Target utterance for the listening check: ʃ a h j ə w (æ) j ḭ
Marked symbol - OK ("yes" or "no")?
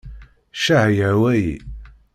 yes